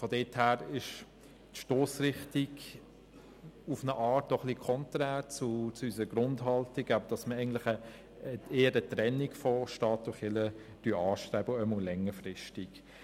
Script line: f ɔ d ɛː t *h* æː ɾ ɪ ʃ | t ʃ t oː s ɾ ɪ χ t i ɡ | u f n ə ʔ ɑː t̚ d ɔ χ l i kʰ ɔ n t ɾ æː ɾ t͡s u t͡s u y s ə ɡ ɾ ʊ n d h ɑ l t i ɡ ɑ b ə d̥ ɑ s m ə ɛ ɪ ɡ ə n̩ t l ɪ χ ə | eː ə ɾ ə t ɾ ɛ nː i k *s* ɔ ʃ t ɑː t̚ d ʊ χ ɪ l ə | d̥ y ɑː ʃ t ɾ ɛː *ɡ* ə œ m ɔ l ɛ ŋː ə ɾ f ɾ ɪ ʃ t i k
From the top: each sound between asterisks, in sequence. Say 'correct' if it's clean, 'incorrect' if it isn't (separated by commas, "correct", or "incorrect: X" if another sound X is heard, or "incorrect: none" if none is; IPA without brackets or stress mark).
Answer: correct, incorrect: f, incorrect: b